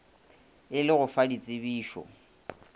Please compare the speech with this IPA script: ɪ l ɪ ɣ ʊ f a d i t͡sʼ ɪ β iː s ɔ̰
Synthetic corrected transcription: ɪ l ɪ ɣ ʊ f a d i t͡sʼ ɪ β iː ʃ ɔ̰